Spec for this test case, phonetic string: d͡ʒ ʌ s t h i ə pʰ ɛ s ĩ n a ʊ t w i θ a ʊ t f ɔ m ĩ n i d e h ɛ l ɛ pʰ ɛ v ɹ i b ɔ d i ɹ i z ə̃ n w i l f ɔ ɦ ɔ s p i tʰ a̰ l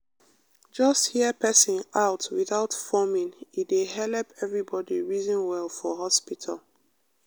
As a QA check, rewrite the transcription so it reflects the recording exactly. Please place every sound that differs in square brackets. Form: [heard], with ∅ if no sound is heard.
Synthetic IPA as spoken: d͡ʒ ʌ s t h i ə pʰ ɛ s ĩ n a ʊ t w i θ a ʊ t f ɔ m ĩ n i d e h ɛ l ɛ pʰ ɛ v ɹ i b ɔ d i ɹ i z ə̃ n w [ɛ] l f ɔ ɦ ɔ s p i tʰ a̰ l